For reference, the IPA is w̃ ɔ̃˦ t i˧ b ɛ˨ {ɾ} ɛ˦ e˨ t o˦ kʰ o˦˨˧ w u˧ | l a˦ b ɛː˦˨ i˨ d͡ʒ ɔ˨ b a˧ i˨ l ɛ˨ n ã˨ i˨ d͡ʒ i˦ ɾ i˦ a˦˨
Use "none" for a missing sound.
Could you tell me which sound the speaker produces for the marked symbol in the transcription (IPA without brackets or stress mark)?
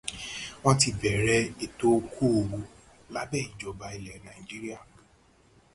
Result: ɾ